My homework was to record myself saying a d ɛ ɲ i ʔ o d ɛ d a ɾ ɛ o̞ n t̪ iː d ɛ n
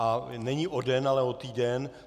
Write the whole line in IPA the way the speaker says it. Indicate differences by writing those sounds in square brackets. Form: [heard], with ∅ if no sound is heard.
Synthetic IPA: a [n] ɛ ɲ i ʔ o d ɛ [n] a [l] ɛ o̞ [∅] t̪ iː d ɛ n